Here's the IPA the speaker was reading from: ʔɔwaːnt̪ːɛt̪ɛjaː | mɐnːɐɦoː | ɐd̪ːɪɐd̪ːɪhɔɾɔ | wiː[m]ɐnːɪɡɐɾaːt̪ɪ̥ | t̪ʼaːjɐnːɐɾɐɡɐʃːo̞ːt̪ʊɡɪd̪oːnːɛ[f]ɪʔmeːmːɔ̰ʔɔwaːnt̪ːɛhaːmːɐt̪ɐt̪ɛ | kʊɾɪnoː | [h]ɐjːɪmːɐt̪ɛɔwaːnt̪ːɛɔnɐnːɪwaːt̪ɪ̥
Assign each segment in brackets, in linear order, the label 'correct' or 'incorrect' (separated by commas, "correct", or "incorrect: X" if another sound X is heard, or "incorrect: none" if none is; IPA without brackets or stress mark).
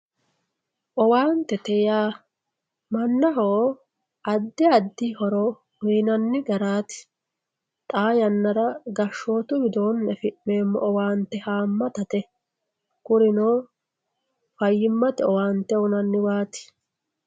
incorrect: n, correct, incorrect: f